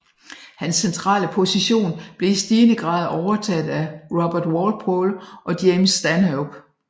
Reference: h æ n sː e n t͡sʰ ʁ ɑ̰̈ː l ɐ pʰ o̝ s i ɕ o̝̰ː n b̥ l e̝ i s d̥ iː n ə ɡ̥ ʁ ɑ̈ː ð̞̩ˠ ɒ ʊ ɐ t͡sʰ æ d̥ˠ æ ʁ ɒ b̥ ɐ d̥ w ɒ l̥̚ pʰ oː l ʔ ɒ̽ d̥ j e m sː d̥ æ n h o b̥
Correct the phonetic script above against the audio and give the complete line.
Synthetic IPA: h æ n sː e n t͡sʰ ʁ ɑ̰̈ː l ə pʰ o̝ s i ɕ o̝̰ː n b̥ l e̝ i s d̥ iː n ə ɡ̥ ʁ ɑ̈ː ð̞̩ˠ ɒ ʊ ɐ t͡sʰ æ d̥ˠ æ ʁ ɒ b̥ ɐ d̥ w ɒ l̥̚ pʰ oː l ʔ ɒ̽ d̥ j e m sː d̥ æ n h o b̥